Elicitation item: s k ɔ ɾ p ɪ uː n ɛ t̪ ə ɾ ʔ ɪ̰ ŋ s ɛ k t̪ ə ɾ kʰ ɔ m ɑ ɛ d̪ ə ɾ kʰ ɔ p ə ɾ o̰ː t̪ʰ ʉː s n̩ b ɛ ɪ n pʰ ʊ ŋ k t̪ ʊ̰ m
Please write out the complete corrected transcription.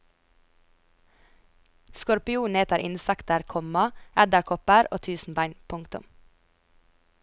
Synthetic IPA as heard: s k ɔ ɾ p ɪ uː n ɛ t̪ ə ɾ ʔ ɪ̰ n s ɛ k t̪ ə ɾ kʰ ɔ m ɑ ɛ d̪ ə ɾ kʰ ɔ p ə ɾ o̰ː t̪ʰ ʉː s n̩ b æ ɪ n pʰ ʊ ŋ k t̪ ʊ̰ m